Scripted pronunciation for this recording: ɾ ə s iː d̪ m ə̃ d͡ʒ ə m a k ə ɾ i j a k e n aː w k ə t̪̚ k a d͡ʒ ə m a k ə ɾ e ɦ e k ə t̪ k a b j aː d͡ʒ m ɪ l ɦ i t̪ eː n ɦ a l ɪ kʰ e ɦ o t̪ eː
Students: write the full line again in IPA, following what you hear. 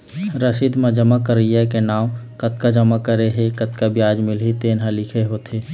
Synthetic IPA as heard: ɾ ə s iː d̪ m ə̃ d͡ʒ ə m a k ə ɾ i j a k e n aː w k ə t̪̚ k a d͡ʒ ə m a k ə ɾ e ɦ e k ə t̪ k a b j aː d͡ʒ m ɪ l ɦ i t̪ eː n ɦ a l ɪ kʰ e ɦ o t̪ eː